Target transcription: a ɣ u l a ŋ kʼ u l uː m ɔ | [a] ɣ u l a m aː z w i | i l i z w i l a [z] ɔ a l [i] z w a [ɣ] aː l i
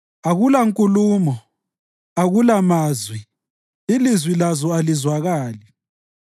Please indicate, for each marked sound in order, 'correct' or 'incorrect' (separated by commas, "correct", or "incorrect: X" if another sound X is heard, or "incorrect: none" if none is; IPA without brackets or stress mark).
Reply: correct, correct, correct, correct